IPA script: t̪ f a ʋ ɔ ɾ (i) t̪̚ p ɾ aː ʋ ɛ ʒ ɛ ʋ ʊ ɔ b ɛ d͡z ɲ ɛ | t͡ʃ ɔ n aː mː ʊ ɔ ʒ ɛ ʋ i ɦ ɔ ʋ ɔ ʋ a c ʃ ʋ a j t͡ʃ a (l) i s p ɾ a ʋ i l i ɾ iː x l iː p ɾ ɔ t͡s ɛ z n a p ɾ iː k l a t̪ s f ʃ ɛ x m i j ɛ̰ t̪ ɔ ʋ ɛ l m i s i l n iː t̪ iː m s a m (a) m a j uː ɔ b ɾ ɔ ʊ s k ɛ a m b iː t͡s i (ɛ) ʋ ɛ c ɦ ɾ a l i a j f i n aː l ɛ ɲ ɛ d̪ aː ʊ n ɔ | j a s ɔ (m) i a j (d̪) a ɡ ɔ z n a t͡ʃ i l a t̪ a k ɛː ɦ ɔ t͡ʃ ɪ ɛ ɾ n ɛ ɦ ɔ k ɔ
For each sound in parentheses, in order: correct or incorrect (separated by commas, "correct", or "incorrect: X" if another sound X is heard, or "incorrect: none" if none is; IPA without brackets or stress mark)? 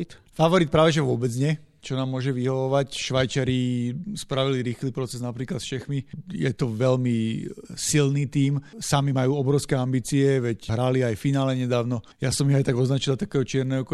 correct, incorrect: ɾ, incorrect: i, correct, correct, incorrect: t̪